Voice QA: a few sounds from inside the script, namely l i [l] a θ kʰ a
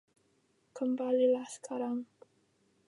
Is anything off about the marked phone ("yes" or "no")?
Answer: no